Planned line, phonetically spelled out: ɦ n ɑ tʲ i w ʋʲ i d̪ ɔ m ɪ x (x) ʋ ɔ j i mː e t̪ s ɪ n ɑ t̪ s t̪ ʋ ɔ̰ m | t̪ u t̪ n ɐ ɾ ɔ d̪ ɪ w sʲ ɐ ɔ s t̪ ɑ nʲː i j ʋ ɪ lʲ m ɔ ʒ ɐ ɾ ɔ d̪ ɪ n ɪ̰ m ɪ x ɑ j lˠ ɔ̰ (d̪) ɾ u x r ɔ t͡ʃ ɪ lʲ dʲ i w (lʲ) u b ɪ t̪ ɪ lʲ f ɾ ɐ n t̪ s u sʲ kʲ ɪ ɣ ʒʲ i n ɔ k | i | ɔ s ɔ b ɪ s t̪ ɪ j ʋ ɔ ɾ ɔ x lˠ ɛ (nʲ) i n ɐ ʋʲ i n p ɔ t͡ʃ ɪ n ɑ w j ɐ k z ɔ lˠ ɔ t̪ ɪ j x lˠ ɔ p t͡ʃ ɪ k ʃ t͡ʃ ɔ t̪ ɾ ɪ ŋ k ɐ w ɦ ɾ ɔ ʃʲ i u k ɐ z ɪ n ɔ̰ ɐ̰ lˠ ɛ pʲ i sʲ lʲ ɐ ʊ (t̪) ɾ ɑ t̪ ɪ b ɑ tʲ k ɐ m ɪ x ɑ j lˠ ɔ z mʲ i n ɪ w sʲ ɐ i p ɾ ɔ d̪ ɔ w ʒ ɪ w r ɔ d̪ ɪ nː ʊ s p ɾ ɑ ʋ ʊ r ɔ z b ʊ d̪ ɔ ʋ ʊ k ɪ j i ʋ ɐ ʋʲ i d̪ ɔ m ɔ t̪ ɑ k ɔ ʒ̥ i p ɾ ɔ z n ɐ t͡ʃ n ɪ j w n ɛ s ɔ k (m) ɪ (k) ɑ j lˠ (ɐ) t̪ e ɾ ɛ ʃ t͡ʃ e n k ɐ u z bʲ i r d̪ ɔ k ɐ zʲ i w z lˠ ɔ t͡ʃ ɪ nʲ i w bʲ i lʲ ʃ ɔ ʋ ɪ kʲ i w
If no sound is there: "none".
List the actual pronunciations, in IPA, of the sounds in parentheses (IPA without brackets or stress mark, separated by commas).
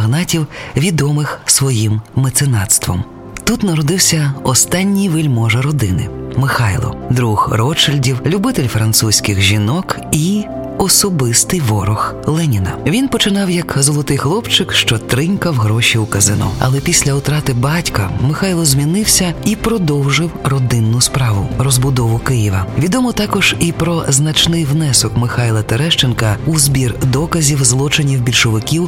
s, d̪, lʲ, nʲ, t̪, m, x, ɐ